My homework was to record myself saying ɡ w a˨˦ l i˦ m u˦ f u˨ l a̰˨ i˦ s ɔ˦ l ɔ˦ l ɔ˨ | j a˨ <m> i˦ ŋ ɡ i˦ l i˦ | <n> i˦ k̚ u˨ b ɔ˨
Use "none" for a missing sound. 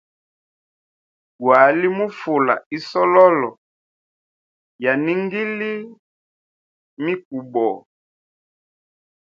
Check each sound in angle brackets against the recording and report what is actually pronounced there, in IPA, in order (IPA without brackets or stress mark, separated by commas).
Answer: n, m